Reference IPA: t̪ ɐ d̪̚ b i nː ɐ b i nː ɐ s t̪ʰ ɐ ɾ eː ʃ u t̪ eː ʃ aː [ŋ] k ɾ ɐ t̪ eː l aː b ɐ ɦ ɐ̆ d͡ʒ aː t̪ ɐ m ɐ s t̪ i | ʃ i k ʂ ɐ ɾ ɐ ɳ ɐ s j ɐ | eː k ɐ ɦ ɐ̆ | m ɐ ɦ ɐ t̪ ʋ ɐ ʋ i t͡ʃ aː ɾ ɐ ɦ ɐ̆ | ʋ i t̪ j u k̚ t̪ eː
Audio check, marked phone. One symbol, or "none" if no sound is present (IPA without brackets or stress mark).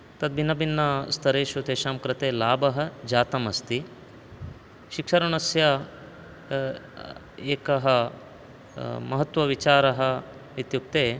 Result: m